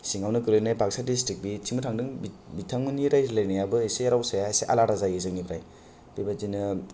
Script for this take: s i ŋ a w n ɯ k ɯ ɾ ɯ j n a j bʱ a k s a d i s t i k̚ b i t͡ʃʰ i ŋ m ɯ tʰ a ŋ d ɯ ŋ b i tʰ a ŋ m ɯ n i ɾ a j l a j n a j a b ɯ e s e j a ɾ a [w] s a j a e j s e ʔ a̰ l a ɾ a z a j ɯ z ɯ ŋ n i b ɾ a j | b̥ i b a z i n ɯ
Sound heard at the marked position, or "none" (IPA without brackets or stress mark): w